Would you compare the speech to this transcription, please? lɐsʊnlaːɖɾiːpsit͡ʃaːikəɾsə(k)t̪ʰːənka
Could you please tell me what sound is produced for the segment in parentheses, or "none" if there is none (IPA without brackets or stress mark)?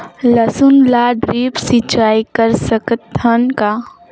k